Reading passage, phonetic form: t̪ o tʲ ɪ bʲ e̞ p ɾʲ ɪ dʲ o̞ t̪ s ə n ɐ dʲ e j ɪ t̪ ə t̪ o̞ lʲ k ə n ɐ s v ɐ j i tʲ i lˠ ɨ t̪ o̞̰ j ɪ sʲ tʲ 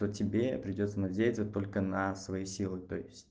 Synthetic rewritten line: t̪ o tʲ ɪ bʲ e̞ p ɾʲ ɪ dʲ o̞ t̪ s ə n ɐ dʲ e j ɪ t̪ ə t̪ o̞ lʲ k ə n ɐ s v ɐ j i sʲ i lˠ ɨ t̪ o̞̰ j ɪ sʲ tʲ